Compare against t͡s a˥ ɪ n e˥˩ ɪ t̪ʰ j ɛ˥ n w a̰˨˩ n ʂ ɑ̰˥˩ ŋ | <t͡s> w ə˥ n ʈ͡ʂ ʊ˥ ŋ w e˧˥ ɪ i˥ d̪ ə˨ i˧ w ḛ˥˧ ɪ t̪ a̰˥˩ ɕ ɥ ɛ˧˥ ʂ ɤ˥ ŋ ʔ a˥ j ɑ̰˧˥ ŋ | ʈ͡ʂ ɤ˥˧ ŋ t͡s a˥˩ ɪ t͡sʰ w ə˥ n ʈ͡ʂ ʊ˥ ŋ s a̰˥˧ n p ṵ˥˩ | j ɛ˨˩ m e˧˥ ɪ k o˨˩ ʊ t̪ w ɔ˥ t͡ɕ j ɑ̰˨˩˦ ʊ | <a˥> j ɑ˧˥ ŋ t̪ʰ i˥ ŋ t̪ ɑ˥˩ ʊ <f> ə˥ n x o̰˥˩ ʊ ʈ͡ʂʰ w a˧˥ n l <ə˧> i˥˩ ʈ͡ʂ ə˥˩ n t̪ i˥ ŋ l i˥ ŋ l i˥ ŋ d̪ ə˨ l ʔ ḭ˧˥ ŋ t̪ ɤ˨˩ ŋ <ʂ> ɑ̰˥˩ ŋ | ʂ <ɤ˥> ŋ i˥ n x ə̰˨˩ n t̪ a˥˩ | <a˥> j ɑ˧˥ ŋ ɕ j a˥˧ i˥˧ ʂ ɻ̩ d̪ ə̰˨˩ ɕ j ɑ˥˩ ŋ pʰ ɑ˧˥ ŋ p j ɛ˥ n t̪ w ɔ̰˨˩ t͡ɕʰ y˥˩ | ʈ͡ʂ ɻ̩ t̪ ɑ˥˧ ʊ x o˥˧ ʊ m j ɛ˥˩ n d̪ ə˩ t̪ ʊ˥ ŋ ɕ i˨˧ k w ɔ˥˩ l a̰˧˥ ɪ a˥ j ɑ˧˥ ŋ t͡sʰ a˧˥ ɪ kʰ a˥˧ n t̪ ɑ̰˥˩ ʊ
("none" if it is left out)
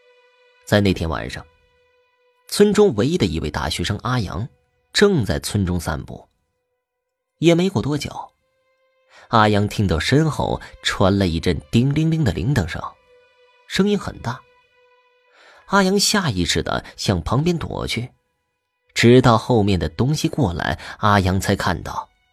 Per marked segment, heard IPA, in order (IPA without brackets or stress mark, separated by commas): t͡sʰ, a˥, ʂ, ə˧, ʂ, ɤ˥, a˥